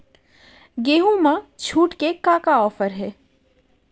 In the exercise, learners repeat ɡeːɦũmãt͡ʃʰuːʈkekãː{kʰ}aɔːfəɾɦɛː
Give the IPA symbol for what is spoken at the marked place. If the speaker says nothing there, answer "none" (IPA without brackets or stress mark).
k